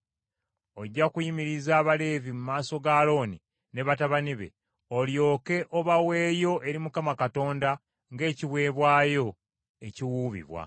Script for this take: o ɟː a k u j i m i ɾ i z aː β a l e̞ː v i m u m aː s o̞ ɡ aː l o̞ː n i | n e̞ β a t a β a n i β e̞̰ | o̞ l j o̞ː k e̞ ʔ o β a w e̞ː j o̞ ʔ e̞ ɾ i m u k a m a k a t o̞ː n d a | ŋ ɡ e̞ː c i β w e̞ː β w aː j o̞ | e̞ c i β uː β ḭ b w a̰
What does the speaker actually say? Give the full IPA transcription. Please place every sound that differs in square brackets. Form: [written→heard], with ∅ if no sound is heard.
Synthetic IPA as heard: o ɟː a k u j i m i ɾ i z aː β a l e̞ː v i m u m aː s o̞ ɡ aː l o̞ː n i | n e̞ β a t a β a n i β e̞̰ | o̞ l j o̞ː k e̞ ʔ o β a w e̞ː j o̞ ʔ e̞ ɾ i m u k a m a k a t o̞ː n d a | ŋ ɡ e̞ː c i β w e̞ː β w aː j o̞ | e̞ c i [β→w] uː β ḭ [b→β] w a̰